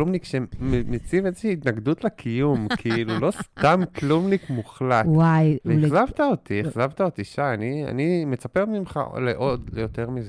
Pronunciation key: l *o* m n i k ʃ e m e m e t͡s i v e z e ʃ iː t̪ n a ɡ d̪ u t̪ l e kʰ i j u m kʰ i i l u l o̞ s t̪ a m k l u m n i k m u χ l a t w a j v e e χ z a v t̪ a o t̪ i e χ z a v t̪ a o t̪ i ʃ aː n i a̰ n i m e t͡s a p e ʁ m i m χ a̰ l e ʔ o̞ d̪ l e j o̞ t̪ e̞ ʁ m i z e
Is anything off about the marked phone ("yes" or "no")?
yes